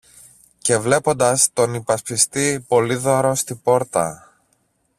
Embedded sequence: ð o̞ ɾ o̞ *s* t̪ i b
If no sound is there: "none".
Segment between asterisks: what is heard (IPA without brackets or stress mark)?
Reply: s